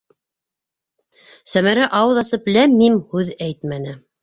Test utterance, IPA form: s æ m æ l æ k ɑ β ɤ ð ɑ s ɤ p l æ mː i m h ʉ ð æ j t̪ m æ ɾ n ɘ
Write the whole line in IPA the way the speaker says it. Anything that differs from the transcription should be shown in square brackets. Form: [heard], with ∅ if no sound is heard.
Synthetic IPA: s æ m æ [ɾ] æ [ʔ] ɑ [w] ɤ ð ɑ s ɤ p l æ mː i m h ʉ ð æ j t̪ m æ [∅] n ɘ